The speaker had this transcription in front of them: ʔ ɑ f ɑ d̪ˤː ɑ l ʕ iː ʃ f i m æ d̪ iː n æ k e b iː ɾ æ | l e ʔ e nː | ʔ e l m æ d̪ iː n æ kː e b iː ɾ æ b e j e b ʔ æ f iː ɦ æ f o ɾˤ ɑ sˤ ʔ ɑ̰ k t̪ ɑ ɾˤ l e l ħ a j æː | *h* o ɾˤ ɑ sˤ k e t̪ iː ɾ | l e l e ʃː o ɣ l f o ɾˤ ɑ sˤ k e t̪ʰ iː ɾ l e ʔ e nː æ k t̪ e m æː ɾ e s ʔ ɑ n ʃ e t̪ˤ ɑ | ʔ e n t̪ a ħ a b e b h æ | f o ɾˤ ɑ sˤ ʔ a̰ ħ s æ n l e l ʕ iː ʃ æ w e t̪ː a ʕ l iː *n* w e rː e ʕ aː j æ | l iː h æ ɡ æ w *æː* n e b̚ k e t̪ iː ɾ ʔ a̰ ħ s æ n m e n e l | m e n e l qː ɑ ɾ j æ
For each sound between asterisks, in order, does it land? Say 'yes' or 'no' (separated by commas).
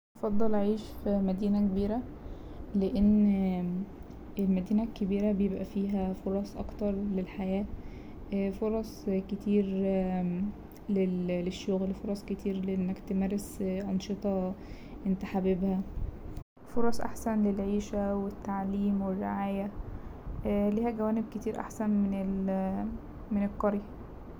no, no, yes